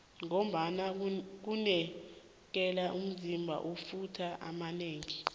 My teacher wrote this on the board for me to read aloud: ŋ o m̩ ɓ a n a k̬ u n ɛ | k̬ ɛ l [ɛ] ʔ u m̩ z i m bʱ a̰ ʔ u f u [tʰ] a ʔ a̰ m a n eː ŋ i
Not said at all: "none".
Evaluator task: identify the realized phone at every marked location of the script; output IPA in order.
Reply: a, tʰ

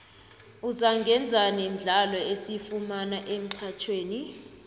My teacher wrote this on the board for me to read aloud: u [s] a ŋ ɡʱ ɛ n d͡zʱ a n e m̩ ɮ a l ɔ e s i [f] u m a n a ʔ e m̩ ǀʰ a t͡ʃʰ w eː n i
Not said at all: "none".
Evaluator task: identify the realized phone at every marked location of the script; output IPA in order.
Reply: z, f

